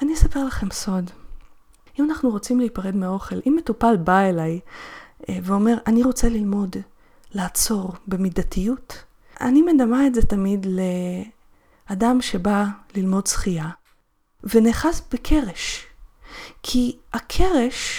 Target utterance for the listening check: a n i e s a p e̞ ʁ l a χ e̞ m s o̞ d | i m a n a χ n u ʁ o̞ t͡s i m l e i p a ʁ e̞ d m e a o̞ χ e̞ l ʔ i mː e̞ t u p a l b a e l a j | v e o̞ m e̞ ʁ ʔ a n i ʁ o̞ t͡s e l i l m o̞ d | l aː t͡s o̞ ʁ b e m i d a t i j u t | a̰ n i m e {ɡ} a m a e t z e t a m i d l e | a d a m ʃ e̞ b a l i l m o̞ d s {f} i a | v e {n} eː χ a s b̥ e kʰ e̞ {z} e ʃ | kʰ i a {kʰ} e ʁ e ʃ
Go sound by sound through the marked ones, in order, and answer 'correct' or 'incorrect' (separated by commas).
incorrect, incorrect, correct, incorrect, correct